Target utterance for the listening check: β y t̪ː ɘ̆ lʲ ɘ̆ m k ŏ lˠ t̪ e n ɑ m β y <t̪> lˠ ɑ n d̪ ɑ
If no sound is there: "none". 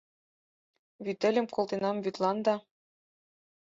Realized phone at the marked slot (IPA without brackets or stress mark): t̪